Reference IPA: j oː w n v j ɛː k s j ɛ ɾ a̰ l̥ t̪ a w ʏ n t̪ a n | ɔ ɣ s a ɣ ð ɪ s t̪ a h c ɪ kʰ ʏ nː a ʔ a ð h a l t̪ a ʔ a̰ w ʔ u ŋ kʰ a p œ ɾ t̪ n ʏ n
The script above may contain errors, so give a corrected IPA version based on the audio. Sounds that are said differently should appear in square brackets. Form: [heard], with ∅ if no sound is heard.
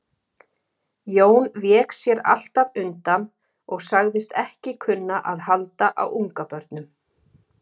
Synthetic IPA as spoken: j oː w n v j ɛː k s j ɛ ɾ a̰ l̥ t̪ a [v] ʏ n t̪ a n | ɔ ɣ s a ɣ ð ɪ s t̪ [ɛ] h c ɪ kʰ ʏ nː a ʔ a ð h a l t̪ a ʔ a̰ w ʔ u ŋ [k] a p œ ɾ t̪ n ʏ [m]